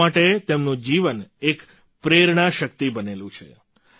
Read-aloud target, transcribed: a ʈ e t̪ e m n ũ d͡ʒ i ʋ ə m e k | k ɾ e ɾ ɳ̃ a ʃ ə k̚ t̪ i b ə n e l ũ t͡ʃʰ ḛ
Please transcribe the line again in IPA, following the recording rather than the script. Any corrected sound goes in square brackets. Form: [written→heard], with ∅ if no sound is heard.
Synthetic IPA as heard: a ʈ e t̪ e m n ũ d͡ʒ i ʋ ə [m→n] e k | [k→p] ɾ e ɾ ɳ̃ a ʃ ə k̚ t̪ i b ə n e l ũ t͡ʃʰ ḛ